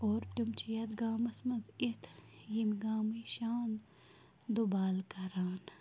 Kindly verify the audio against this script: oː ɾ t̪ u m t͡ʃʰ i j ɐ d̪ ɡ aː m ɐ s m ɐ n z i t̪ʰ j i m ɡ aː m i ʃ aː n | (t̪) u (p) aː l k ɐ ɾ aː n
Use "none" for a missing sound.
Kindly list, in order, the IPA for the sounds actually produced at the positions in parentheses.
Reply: d̪, b

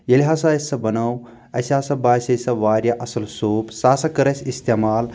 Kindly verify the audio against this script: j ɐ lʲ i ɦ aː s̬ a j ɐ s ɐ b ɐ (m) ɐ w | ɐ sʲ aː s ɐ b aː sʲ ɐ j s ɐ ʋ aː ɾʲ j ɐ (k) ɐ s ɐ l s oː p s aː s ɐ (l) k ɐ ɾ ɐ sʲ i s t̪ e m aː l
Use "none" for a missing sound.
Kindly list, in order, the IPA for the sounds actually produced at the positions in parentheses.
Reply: n, ʔ, none

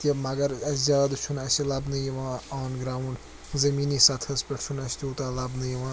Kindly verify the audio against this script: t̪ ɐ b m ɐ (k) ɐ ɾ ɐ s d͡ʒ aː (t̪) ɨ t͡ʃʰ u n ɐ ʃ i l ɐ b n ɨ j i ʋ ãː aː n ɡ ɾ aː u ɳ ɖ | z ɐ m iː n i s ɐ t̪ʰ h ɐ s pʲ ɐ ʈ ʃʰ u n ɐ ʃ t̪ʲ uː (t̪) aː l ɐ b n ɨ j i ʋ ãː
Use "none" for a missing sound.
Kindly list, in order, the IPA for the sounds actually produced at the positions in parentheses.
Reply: ɡ, d̪, t̪

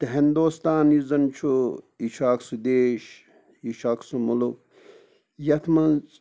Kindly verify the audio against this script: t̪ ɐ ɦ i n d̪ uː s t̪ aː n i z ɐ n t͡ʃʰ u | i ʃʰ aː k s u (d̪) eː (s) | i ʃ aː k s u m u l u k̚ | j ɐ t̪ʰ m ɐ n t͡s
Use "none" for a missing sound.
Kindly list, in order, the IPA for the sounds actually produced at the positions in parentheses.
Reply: d̪, ʃ

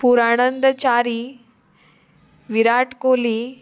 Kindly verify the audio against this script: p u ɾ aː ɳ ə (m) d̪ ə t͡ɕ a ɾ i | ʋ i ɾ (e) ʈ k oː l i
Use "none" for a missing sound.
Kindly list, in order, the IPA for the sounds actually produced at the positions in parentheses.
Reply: n, a

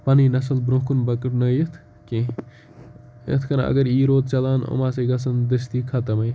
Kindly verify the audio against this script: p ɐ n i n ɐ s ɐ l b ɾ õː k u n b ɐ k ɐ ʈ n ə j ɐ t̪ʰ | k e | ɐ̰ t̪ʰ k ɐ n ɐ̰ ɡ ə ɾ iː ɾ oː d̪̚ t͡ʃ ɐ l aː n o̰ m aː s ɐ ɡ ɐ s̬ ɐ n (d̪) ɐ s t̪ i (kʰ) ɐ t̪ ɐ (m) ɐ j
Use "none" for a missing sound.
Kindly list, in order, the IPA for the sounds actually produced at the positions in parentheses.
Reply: d̪, kʰ, m

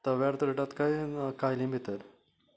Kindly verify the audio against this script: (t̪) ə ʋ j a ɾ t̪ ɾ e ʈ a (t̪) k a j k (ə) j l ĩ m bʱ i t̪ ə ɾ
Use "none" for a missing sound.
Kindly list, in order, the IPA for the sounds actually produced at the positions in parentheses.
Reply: t̪, t̪, a

